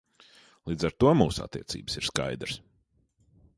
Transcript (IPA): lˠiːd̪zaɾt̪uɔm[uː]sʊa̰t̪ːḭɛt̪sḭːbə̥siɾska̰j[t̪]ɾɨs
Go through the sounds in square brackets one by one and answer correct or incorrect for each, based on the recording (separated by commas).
correct, incorrect